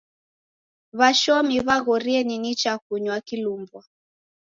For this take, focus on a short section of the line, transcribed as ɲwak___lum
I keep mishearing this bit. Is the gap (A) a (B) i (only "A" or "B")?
B